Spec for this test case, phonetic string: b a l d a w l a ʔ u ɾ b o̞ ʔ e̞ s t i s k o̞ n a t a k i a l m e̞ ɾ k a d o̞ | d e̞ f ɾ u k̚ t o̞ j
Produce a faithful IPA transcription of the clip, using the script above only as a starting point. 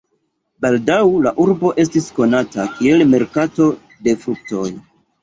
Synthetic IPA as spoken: b a l d a w l a ʔ u ɾ b o̞ ʔ e̞ s t i s k o̞ n a t a k i e l m e̞ ɾ k a t o̞ | d e̞ f ɾ u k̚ t o̞ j